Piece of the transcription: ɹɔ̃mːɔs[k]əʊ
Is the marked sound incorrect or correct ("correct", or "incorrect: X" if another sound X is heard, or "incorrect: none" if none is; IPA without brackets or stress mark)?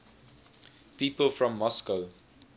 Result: correct